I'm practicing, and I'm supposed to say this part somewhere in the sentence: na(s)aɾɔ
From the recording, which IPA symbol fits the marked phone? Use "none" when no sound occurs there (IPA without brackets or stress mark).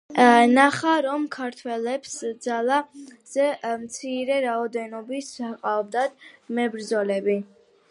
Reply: χ